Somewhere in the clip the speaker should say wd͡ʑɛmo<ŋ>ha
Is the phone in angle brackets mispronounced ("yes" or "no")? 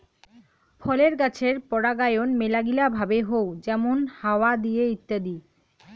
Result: yes